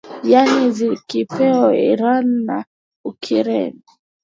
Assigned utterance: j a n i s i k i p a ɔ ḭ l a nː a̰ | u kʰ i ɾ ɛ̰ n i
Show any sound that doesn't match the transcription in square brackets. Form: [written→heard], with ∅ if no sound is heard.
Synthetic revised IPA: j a n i [s→z] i k i p [a→ɛ] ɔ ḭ [l→ɾ] a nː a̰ | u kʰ i ɾ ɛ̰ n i